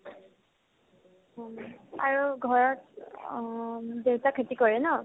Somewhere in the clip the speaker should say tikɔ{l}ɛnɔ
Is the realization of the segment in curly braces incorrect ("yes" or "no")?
yes